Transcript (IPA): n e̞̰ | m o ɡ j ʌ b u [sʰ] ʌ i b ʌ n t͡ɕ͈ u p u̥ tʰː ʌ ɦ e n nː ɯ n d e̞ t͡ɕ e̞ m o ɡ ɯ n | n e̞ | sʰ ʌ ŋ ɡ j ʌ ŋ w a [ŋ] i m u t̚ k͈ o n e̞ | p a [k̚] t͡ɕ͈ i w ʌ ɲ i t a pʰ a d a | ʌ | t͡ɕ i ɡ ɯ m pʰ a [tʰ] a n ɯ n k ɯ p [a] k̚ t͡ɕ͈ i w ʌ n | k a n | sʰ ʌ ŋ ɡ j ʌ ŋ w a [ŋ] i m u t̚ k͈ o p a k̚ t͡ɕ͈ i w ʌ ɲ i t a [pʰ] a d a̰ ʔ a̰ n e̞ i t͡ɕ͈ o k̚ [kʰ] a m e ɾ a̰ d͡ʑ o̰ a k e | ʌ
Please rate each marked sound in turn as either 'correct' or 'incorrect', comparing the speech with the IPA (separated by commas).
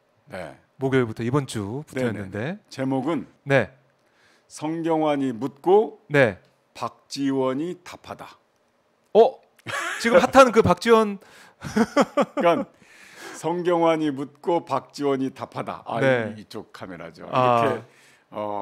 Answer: incorrect, incorrect, correct, correct, correct, incorrect, correct, correct